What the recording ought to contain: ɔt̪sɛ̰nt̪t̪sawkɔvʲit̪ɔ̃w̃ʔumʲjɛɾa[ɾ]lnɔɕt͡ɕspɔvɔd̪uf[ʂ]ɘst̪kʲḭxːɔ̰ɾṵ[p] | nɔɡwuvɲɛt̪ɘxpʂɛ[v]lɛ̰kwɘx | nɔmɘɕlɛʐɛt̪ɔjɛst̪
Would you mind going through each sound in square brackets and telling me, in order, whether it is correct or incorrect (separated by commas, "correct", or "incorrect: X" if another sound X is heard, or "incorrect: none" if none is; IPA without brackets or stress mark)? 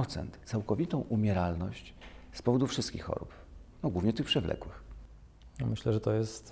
incorrect: none, correct, correct, correct